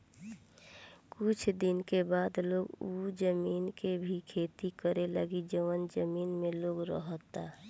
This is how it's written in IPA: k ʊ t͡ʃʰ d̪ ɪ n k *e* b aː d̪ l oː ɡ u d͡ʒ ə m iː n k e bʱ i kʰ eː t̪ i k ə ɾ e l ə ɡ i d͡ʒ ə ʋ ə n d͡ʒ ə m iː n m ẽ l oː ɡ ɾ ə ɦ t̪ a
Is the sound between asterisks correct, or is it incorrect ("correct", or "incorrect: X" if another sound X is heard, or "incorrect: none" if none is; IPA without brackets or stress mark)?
correct